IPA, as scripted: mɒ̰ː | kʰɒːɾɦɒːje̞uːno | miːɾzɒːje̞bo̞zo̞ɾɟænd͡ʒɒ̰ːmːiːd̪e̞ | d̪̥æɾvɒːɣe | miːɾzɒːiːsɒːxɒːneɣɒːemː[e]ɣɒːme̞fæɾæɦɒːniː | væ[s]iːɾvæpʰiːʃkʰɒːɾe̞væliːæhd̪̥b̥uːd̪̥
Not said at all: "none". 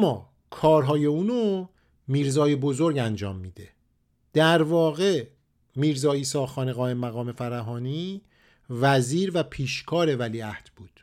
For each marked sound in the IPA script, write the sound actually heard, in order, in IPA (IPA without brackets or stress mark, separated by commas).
æ, z